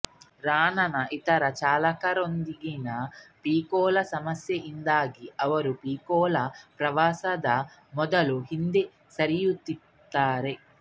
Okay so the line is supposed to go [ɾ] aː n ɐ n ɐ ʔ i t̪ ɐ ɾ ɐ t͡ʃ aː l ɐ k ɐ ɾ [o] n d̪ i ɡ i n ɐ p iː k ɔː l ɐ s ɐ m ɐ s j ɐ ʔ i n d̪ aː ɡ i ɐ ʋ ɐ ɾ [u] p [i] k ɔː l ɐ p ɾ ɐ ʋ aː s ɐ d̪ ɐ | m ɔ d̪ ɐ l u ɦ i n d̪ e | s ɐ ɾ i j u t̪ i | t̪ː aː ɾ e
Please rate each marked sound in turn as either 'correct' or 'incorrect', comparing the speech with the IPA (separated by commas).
correct, correct, correct, incorrect